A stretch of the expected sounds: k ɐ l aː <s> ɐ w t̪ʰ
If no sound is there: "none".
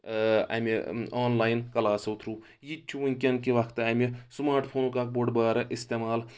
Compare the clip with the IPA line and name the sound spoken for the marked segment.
s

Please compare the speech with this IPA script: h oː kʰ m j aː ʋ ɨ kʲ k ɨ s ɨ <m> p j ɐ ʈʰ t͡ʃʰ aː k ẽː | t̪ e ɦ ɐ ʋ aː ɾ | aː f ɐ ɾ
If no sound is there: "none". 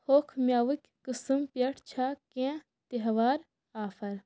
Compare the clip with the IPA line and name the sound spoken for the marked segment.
m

